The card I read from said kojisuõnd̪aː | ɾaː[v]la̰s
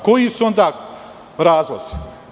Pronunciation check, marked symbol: incorrect: z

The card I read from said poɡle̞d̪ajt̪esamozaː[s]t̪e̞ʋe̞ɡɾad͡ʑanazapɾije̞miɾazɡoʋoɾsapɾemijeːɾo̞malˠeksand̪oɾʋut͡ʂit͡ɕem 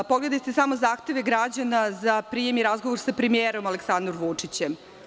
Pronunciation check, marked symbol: incorrect: x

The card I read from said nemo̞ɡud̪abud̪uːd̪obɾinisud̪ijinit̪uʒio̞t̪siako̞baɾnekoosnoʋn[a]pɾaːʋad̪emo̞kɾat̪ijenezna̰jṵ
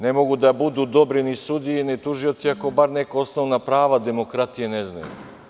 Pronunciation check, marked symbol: correct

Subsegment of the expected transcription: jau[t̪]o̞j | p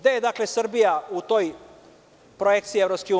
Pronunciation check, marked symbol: correct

